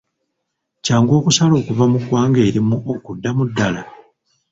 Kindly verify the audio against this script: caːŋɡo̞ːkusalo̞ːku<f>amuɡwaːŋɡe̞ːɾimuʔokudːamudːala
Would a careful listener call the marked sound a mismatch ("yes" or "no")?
yes